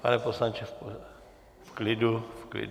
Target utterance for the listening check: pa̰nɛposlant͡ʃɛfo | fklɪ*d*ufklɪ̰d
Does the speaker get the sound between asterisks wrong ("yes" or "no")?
no